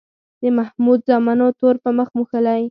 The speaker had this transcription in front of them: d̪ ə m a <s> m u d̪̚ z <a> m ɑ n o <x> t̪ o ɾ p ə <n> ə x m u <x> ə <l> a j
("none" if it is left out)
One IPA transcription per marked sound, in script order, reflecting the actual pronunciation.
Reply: h, ɑ, none, m, x, l

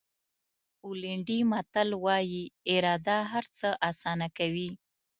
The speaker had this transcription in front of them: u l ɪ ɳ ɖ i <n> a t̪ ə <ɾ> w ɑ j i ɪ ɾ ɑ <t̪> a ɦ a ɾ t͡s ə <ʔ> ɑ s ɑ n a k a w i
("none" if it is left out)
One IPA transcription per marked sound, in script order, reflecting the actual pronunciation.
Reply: m, l, d̪, ʔ

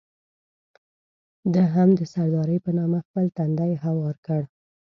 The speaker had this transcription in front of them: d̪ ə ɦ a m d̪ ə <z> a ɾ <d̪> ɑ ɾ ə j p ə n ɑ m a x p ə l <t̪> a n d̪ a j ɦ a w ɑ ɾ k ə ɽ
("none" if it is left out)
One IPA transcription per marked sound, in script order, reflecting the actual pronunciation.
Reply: s, d̪, t̪

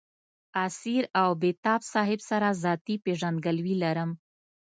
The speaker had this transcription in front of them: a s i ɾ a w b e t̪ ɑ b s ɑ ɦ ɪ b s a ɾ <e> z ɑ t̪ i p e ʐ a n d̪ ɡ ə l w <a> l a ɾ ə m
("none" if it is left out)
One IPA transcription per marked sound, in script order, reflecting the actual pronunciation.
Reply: a, i

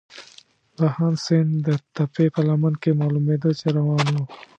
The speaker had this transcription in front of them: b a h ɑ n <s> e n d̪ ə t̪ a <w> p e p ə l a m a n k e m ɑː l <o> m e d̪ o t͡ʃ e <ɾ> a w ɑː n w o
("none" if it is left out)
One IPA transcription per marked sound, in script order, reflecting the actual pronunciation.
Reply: s, none, u, ɾ

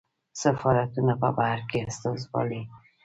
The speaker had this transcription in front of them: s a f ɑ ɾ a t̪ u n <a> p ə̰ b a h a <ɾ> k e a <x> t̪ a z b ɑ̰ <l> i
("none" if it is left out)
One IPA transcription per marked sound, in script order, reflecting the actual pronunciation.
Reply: a, ɾ, s, l

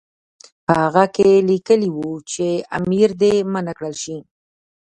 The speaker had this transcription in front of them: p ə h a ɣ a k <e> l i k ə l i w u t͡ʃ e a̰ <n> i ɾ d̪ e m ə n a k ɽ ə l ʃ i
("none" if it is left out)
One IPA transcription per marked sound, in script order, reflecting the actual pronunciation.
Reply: e, m

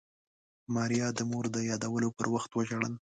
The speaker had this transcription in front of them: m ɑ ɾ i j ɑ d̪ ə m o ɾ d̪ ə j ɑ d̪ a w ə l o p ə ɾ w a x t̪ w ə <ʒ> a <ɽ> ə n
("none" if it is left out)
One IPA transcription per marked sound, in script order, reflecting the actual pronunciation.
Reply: ʒ, ɽ

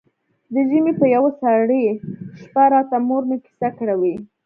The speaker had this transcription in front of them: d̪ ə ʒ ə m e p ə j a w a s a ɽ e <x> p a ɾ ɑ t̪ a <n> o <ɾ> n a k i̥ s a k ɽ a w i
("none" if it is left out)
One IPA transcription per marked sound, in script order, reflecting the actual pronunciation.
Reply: ʃ, m, ɾ

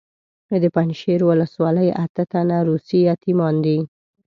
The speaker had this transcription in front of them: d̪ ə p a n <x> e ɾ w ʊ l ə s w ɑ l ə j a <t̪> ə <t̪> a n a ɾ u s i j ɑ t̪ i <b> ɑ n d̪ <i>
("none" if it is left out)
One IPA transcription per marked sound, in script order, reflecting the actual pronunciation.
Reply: ʃ, t̪, t̪, m, i

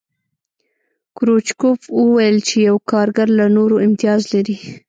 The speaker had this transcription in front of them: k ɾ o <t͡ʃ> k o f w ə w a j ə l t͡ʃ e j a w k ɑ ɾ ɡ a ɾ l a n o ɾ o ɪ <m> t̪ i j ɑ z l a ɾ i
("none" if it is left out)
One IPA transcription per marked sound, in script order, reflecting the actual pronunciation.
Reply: t͡ʃ, m

